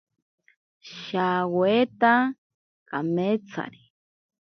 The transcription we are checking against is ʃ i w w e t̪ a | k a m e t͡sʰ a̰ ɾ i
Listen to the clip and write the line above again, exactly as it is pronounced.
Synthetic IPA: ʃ a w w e t̪ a | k a m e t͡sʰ a̰ ɾ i